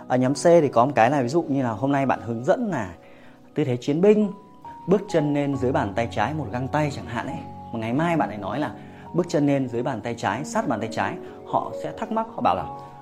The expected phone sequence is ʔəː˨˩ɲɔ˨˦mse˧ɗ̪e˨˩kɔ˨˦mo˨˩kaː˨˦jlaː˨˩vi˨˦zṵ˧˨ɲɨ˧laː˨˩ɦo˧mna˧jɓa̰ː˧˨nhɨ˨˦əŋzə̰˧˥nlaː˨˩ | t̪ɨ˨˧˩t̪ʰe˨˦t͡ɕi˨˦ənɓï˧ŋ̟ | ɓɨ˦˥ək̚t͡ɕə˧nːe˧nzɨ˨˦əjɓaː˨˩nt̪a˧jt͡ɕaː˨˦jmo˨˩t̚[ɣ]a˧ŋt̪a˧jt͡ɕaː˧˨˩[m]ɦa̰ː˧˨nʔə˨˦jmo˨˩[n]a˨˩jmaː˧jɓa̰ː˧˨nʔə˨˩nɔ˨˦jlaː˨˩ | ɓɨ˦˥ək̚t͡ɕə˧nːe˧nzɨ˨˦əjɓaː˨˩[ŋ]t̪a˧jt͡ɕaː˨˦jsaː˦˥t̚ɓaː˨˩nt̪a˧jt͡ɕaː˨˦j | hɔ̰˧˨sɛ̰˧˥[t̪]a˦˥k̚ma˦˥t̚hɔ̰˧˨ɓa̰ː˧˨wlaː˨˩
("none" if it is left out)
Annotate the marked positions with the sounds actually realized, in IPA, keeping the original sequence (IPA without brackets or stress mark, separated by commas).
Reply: ɣ, ŋ, ŋ, n, t̪ʰ